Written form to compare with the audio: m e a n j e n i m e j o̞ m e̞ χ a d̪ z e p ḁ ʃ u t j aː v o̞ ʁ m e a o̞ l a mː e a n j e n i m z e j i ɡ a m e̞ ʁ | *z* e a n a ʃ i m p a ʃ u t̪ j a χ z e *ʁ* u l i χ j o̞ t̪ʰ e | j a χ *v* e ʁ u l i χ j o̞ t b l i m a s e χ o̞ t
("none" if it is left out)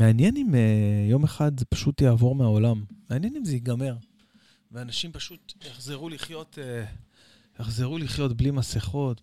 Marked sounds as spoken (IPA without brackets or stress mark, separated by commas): v, ʁ, z